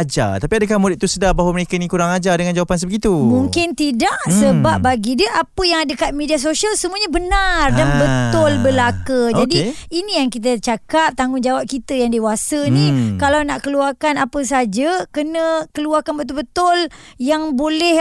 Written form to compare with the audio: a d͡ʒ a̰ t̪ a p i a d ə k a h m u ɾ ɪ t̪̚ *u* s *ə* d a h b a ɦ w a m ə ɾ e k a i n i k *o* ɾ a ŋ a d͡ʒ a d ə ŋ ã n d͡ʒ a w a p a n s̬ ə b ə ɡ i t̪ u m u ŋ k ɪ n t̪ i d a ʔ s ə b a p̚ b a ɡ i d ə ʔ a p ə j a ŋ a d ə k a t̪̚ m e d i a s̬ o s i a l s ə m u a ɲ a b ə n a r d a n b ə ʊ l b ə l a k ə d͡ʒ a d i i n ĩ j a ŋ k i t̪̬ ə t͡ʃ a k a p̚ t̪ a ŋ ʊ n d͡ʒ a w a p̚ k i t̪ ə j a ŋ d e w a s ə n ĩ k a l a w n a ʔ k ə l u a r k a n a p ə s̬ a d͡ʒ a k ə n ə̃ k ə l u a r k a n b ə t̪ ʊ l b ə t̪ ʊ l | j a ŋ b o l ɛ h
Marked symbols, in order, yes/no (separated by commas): yes, yes, no